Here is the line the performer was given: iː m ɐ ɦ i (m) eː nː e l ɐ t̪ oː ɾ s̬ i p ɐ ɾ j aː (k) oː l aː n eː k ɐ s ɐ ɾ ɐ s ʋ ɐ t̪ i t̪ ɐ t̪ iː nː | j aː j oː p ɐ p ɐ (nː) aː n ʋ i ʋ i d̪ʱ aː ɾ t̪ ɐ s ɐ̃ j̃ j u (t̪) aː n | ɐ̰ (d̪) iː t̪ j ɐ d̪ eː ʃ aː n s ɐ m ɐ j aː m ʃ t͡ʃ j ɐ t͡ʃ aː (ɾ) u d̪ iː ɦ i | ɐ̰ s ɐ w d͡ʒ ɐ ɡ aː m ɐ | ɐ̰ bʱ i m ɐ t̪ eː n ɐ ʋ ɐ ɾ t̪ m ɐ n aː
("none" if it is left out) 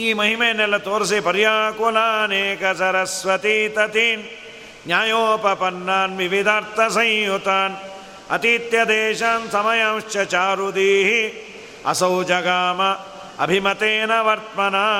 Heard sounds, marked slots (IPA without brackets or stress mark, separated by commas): m, k, nː, t̪, t̪, ɾ